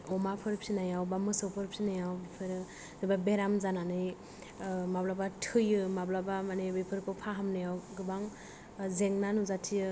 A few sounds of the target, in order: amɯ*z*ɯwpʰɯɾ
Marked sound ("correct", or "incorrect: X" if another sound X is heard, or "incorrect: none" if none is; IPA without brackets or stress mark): incorrect: s